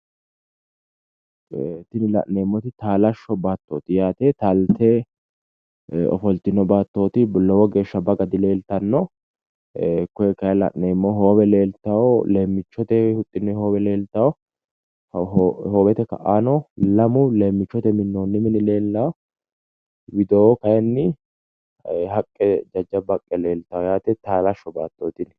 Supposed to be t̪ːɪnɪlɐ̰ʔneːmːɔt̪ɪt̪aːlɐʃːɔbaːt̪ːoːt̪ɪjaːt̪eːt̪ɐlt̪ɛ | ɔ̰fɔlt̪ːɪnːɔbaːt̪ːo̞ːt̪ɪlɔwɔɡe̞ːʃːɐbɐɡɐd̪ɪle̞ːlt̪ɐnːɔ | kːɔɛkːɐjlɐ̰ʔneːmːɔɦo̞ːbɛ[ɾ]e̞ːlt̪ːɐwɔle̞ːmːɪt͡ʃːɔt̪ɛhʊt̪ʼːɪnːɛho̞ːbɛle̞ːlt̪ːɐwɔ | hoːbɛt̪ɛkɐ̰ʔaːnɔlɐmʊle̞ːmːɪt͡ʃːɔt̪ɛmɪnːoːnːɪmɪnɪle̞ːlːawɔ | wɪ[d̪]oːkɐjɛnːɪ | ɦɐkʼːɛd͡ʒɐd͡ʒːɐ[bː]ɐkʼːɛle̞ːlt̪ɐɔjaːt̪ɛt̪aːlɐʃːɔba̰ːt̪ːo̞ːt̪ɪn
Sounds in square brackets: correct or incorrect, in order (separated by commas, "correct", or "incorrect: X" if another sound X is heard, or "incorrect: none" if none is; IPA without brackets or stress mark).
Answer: incorrect: l, correct, incorrect: b